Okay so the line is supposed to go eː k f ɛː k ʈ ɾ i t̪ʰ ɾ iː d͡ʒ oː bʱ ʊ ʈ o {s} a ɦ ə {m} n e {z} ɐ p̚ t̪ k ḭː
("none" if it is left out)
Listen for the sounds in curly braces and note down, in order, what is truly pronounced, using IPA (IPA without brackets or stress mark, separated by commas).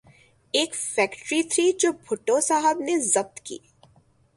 s, b, z